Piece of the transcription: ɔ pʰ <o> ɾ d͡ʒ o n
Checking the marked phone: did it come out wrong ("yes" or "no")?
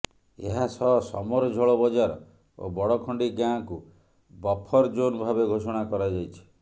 yes